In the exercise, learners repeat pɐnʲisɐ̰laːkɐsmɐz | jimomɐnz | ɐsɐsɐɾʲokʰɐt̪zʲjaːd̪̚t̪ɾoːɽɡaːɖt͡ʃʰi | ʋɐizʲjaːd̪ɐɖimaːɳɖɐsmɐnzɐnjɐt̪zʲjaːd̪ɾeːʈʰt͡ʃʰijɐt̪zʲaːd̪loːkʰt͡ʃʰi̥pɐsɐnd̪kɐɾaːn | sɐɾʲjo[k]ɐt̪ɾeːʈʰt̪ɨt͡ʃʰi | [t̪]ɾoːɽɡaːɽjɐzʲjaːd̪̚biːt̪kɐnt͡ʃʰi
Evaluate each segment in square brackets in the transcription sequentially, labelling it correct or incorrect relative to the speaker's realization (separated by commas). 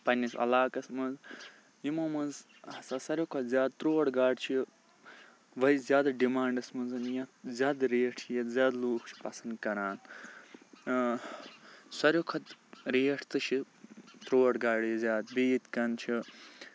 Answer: incorrect, correct